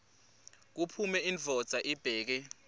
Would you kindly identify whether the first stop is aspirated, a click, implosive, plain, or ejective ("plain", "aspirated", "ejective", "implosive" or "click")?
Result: plain